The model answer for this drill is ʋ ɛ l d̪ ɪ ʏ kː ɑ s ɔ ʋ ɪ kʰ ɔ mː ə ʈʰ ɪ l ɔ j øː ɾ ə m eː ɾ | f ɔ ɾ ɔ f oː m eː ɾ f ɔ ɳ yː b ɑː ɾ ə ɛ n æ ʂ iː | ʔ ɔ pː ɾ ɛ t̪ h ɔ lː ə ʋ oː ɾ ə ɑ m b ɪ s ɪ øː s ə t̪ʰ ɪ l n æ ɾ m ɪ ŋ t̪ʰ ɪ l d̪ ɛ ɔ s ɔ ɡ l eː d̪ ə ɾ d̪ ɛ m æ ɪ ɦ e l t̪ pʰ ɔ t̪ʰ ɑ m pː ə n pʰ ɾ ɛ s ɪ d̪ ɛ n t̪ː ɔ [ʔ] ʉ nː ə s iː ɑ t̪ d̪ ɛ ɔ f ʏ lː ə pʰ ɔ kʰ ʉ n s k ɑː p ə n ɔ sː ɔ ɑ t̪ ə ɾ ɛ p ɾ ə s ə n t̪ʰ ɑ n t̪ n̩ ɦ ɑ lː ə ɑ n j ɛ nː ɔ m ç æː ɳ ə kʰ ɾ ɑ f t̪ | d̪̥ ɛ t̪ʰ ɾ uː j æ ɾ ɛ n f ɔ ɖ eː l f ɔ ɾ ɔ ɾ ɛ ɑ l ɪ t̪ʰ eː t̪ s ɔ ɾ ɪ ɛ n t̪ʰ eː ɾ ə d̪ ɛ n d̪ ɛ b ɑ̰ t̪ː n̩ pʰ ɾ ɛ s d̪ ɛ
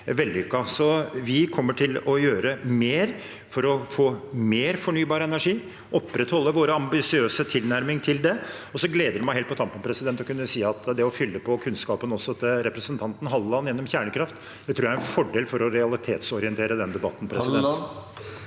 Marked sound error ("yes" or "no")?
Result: yes